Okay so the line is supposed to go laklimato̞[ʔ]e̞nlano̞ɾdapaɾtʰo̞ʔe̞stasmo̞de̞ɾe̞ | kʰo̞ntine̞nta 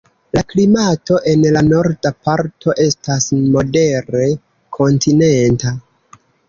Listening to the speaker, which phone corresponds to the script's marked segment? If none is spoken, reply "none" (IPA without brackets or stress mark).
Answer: ʔ